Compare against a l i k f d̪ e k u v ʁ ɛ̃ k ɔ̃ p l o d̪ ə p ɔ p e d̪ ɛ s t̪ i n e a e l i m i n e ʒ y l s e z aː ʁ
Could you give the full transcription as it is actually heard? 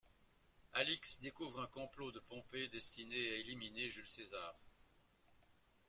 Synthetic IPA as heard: a l i k s d̪ e k u v ʁ ɛ̃ k ɔ̃ p l o d̪ ə p ɔ̃ p e d̪ ɛ s t̪ i n e a e l i m i n e ʒ y l s e z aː ʁ